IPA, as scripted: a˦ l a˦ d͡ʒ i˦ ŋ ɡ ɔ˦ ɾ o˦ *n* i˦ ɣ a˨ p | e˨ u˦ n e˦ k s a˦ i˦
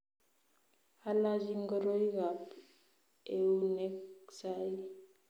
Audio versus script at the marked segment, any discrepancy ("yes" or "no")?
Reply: yes